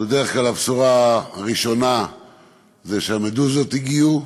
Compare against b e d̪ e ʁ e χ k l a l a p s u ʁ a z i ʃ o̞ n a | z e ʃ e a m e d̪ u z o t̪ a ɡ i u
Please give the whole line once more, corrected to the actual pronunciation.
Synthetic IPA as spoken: b e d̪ e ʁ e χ k l a l a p s u ʁ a ʁ i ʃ o̞ n a | z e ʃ e a m e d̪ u z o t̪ i ɡ i u